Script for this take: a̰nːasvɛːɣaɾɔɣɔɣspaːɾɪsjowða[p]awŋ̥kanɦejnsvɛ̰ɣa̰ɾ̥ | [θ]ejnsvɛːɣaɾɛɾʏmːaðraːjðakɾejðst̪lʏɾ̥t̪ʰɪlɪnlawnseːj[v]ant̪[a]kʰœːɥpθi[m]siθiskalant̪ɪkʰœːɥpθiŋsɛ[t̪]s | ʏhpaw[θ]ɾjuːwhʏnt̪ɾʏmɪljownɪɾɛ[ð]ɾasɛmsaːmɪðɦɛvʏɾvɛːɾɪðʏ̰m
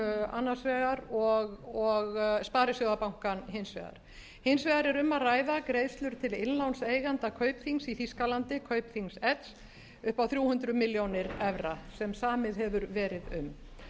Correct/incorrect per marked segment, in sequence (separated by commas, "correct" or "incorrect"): correct, incorrect, incorrect, correct, incorrect, correct, correct, incorrect